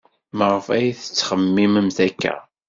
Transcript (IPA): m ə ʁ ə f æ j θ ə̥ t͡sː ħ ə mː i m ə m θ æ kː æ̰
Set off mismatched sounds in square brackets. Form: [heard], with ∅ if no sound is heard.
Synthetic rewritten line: m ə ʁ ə f æ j θ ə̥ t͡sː [χ] ə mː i m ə m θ æ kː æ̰